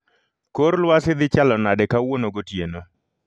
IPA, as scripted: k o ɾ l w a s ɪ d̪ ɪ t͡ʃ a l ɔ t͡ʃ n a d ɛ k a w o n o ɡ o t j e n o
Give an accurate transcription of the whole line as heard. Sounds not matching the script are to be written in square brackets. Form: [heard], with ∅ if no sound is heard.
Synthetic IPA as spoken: k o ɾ l w a s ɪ d̪ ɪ t͡ʃ a l ɔ [∅] n a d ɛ k a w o n o ɡ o t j e n o